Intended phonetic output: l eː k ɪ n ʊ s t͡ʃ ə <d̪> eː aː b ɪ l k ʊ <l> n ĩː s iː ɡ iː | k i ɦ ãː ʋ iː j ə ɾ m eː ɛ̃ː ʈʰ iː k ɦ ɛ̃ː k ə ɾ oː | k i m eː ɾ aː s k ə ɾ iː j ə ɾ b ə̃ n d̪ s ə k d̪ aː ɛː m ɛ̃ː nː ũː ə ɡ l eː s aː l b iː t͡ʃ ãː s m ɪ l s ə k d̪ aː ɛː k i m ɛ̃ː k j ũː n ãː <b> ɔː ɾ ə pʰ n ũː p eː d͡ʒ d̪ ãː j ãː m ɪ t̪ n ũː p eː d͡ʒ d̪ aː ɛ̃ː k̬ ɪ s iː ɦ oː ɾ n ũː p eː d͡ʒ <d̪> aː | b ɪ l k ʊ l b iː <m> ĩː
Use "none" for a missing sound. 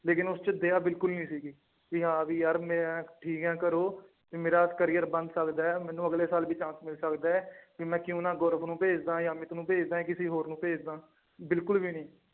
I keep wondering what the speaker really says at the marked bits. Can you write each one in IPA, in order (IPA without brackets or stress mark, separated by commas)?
d̪, l, ɡ, d̪, n